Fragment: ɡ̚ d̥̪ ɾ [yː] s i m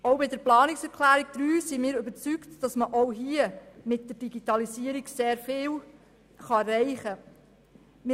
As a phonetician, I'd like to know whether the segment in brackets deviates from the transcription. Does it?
no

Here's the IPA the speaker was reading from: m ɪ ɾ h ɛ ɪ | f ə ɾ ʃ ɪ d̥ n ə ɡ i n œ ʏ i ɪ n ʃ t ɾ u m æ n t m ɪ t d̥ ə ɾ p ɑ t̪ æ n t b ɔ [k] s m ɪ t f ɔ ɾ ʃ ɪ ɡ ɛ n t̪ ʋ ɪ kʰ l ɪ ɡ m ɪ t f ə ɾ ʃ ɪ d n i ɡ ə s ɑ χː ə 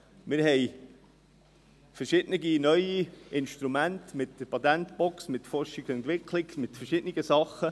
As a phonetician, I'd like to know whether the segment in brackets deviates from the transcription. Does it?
no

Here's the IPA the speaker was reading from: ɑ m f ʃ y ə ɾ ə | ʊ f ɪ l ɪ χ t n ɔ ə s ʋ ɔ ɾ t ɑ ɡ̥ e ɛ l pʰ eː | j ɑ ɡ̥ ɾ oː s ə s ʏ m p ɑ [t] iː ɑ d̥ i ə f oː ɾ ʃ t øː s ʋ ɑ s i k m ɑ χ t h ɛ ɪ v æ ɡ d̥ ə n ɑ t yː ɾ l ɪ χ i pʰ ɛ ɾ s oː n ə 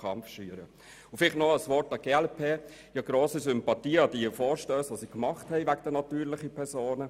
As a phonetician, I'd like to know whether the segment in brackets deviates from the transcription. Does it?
no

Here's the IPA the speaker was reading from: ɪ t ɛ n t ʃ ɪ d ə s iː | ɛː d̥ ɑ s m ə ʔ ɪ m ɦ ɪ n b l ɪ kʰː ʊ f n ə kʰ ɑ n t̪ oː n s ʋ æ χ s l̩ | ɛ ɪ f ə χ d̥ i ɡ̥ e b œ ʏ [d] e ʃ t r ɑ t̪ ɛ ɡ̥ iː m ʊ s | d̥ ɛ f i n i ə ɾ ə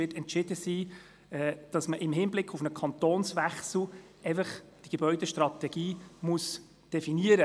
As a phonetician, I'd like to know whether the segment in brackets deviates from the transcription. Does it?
no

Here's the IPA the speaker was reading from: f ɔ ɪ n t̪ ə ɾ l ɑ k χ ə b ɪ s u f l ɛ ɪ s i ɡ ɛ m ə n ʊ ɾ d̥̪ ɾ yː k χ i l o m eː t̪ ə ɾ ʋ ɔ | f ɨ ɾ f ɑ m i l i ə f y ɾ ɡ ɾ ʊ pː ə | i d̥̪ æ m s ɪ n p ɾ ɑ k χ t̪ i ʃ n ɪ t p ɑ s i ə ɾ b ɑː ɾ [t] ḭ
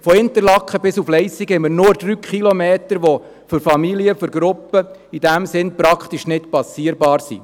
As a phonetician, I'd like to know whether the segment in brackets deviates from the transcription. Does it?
yes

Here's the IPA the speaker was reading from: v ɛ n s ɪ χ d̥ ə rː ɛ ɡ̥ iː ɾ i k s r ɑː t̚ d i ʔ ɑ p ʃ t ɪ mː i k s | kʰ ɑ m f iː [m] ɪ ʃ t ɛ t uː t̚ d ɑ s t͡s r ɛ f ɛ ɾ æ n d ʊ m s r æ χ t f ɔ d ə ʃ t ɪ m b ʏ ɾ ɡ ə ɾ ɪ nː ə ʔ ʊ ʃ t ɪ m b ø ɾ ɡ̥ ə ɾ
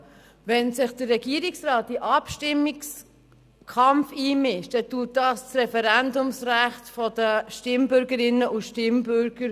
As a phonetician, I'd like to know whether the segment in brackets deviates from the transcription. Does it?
no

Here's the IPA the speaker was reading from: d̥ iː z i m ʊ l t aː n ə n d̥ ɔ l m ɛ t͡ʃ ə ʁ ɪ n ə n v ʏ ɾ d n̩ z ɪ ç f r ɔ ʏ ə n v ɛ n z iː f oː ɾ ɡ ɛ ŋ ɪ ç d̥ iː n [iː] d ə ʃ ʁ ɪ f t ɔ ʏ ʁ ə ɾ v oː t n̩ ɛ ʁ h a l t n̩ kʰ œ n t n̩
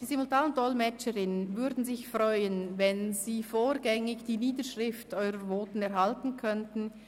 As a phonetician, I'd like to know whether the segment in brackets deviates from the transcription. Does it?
no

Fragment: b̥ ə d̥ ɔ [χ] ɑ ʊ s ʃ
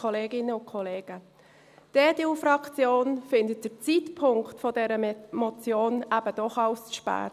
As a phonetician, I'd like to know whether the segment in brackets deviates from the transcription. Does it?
no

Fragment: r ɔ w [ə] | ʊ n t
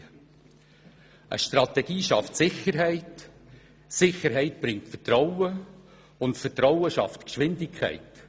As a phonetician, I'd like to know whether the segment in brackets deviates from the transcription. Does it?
no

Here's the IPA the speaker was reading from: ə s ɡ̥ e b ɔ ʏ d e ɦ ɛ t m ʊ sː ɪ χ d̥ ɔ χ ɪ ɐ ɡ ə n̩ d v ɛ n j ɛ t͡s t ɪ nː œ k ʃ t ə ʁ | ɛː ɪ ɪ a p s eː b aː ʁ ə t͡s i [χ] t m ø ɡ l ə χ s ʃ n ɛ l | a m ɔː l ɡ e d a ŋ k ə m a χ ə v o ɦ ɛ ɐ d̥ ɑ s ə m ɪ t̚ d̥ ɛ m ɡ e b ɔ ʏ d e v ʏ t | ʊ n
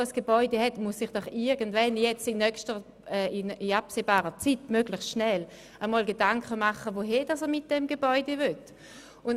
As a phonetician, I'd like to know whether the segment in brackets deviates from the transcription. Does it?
yes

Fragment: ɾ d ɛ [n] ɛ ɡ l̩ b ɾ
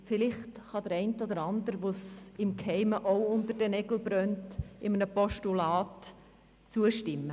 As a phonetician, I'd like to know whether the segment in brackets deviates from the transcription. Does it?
no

